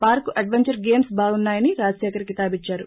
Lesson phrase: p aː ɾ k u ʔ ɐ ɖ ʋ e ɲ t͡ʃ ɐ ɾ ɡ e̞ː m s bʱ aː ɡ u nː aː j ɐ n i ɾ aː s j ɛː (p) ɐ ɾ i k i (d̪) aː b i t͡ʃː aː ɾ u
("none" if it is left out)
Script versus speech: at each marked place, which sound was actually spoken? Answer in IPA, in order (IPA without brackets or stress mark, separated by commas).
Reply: k, t̪